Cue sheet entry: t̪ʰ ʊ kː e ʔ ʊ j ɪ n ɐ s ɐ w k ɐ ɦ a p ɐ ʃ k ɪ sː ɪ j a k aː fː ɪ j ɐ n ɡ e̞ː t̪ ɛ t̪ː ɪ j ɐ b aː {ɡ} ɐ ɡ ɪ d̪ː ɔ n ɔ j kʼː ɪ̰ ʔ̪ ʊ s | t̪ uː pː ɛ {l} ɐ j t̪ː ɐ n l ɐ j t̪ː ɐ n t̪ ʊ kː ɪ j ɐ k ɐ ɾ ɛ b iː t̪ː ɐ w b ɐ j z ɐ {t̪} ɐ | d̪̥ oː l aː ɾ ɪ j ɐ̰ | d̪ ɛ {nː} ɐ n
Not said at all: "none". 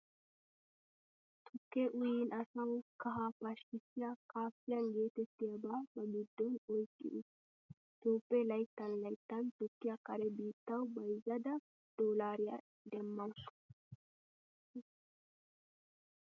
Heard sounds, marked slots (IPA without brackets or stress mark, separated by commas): b, l, d̪, mː